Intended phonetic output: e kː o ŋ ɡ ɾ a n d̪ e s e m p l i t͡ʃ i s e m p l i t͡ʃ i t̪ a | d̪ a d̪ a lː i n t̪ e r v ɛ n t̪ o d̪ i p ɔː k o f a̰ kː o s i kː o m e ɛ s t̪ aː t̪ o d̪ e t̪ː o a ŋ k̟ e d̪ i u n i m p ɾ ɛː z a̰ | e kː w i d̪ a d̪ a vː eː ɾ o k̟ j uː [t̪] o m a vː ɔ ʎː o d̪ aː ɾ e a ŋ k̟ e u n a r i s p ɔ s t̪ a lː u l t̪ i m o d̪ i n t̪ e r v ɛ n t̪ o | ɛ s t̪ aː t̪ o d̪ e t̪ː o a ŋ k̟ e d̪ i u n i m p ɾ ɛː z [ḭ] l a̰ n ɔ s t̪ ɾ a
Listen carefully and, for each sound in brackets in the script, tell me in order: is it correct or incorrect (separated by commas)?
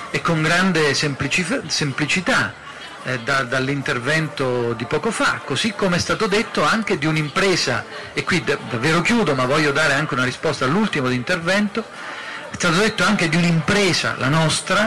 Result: incorrect, incorrect